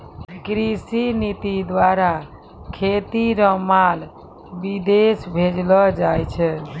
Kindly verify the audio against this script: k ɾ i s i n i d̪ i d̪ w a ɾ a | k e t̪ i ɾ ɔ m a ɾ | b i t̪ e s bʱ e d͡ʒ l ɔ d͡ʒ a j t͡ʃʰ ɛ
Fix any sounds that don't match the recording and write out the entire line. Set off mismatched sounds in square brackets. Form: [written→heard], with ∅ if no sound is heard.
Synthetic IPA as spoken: k ɾ i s i n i [d̪→t̪] i d̪ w a ɾ a | [k→kʰ] e t̪ i ɾ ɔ m a [ɾ→l] | b i [t̪→d̪] e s bʱ e d͡ʒ l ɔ d͡ʒ a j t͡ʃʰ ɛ